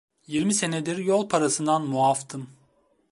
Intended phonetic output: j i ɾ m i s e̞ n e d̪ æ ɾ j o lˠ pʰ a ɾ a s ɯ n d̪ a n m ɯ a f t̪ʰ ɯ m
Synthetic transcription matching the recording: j i ɾ m i s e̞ n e d̪ i ɾ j o lˠ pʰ a ɾ a s ɯ n d̪ a n m u a f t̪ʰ ɯ m

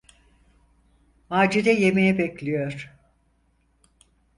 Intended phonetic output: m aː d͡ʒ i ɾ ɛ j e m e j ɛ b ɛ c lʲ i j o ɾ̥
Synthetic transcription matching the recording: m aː d͡ʒ i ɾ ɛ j e m e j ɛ b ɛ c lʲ i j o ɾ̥

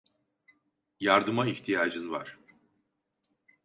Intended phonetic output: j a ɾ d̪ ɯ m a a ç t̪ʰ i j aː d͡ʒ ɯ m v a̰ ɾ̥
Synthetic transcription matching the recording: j a ɾ d̪ ɯ m a i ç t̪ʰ i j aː d͡ʒ ɯ n v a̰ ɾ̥

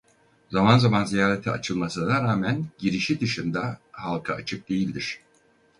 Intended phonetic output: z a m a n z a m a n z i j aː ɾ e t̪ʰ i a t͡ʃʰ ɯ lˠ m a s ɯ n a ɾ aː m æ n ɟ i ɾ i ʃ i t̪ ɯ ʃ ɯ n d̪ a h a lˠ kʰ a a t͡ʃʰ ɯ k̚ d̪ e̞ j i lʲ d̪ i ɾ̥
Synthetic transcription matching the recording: z a m a n z a m a n z i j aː ɾ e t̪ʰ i a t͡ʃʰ ɯ lˠ m a s ɯ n a ɾ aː m æ n ɟ i ɾ i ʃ i d̪ ɯ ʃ ɯ n d̪ a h a lˠ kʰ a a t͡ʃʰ ɯ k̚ d̪ e̞ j i lʲ d̪ i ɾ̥

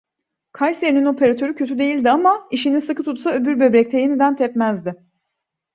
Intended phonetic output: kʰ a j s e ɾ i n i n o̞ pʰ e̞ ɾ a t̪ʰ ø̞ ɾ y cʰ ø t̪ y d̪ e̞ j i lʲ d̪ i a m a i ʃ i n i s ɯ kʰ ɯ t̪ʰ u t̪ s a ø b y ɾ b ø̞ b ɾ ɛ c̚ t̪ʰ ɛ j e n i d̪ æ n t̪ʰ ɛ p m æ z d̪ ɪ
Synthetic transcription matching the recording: kʰ a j s e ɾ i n i n o̞ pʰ e̞ ɾ a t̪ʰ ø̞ ɾ y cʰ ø t̪ y d̪ e̞ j i lʲ d̪ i a m a i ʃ i n i s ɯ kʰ ɯ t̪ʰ u t̪ s a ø b y ɾ b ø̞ b ɾ ɛ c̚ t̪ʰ ɛ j e n i d̪ æ n t̪ʰ ɛ p m æ z d̪ ɪ

